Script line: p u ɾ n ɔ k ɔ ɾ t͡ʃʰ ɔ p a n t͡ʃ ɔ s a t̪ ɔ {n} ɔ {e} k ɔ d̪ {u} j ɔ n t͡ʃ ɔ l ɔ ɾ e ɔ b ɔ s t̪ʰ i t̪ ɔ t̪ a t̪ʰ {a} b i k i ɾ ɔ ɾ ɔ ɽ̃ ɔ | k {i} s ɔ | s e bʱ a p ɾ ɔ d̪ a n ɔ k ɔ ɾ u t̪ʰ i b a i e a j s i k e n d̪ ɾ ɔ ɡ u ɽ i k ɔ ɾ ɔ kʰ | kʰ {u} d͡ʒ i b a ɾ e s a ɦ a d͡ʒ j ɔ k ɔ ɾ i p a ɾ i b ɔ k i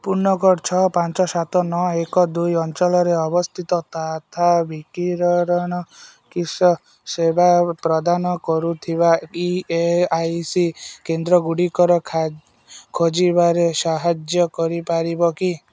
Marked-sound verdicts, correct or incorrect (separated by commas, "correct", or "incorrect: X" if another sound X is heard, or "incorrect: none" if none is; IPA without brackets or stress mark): correct, correct, correct, correct, correct, incorrect: o